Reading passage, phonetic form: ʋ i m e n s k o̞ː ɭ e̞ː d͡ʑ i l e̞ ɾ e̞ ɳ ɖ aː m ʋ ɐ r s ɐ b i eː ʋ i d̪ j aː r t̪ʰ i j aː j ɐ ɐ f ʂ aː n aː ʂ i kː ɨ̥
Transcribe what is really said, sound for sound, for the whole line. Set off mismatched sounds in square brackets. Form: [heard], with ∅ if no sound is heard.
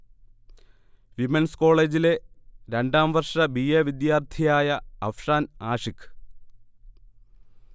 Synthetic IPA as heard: ʋ i m e n s k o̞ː ɭ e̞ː d͡ʑ i l e̞ ɾ e̞ ɳ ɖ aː m ʋ ɐ r [ʂ] ɐ b i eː ʋ i d̪ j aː r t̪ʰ i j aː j ɐ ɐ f ʂ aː n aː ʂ i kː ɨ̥